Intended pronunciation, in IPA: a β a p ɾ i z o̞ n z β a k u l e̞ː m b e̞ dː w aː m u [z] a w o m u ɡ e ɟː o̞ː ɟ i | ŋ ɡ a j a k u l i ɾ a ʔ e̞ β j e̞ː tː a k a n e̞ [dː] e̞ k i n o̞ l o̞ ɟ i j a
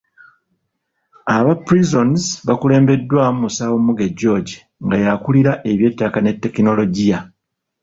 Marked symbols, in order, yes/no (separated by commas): no, no